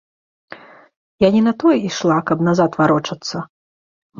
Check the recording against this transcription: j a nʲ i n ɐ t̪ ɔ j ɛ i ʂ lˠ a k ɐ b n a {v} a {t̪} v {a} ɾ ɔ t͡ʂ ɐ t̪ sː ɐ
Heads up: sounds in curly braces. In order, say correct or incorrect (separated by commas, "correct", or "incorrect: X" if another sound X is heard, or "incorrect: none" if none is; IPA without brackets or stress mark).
incorrect: z, correct, correct